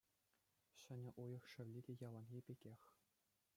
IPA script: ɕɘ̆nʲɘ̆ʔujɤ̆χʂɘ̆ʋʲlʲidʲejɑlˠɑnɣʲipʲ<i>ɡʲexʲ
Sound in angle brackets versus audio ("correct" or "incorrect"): incorrect